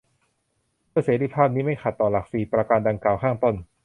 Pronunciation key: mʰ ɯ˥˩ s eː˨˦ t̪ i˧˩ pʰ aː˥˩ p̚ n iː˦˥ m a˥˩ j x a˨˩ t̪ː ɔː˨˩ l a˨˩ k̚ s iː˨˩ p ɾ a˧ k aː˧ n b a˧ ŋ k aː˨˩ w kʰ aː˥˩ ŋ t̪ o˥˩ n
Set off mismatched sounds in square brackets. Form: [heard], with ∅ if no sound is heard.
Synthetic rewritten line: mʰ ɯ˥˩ s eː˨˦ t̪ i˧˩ pʰ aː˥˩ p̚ n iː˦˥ m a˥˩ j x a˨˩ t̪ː ɔː˨˩ l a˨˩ k̚ s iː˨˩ p ɾ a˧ k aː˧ n [d] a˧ ŋ k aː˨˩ w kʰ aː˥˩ ŋ t̪ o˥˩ n